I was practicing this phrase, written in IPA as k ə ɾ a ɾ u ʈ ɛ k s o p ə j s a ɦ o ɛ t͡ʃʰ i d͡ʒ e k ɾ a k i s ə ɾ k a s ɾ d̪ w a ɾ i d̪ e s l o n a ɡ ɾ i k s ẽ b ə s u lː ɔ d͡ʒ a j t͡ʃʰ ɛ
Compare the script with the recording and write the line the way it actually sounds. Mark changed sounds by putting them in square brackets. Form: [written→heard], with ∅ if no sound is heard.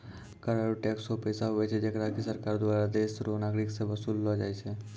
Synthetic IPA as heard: k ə ɾ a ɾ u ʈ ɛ k s o p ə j s a ɦ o ɛ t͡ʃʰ [i→ɛ] d͡ʒ e k ɾ a k i s ə ɾ k a [s→∅] ɾ d̪ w a ɾ [i→a] d̪ e s [l→ɾ] o n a ɡ ɾ i k s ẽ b ə s u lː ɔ d͡ʒ a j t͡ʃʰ ɛ